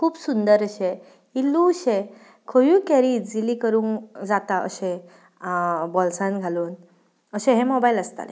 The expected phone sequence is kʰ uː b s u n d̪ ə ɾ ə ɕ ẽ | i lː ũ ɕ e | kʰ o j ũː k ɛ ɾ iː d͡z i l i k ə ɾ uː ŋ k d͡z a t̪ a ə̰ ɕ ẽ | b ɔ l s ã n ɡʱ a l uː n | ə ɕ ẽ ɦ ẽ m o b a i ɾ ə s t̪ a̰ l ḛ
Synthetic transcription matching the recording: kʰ uː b s u n d̪ ə ɾ ə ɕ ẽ | i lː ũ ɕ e | kʰ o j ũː k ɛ ɾ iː d͡z i l i k ə ɾ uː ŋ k d͡z a t̪ a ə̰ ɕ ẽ | b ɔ l s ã n ɡʱ a l uː n | ə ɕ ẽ ɦ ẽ m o b a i l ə s t̪ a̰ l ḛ

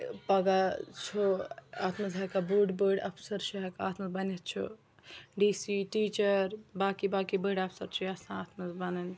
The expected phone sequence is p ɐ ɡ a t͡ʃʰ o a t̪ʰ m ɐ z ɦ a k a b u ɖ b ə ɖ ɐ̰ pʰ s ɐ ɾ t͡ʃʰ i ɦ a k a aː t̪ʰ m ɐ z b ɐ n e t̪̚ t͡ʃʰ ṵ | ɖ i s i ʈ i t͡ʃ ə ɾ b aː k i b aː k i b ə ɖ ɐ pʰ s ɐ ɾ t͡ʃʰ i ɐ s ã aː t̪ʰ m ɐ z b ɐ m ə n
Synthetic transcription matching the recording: p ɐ ɡ a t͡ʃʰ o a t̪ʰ m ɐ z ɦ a k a b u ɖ b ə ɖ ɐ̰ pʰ s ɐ ɾ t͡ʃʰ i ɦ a k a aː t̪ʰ m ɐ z b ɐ n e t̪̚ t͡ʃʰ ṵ | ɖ i s i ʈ i t͡ʃ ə ɾ b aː k i b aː k i b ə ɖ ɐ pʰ s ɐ ɾ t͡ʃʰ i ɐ s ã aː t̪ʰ m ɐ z b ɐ n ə n

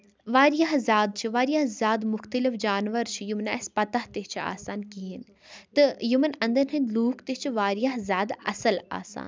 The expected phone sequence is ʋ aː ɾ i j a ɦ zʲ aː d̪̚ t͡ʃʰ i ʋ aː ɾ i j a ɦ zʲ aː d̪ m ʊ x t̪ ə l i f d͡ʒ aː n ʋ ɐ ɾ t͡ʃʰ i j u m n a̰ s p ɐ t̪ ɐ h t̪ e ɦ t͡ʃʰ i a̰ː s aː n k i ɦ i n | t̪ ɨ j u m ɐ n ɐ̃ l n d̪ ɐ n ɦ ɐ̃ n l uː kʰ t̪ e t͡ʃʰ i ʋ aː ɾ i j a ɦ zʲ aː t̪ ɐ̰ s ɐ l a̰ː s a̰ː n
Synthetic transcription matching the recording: ʋ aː ɾ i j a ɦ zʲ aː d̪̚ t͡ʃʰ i ʋ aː ɾ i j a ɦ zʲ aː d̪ m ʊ x t̪ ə l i f d͡ʒ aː n ʋ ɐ ɾ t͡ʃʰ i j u m n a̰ s p ɐ t̪ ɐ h t̪ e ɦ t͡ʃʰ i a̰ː s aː n k i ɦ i n | t̪ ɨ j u m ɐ n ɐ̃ n d̪ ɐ n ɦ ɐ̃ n l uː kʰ t̪ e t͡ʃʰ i ʋ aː ɾ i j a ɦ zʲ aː d̪ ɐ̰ s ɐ l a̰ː s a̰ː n

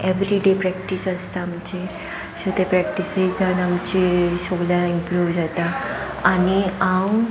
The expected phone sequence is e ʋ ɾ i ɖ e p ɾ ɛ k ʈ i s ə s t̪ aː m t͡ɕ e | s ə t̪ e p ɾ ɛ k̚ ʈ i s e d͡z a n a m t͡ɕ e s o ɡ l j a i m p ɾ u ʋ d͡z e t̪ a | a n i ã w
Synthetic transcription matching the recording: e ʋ ɾ i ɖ e p ɾ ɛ k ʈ i s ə s t̪ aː m t͡ɕ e | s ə t̪ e p ɾ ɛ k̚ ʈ i s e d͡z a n a m t͡ɕ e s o ɡ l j a i m p ɾ u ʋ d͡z a t̪ a | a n i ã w

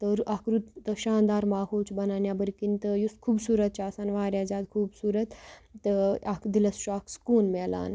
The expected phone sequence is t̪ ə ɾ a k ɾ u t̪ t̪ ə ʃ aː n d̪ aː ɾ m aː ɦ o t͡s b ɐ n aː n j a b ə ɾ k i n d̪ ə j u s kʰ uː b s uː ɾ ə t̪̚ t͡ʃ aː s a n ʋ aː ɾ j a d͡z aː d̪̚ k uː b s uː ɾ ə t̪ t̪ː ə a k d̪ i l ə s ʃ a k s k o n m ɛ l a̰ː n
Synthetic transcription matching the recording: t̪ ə ɾ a k ɾ u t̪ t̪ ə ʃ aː n d̪ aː ɾ m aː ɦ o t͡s b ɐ n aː n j a b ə ɾ k i n t̪ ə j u s kʰ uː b s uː ɾ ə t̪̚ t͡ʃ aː s a n ʋ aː ɾ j a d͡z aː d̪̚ kʰ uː b s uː ɾ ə t̪ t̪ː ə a k d̪ i l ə s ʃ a k s k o n m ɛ l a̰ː n

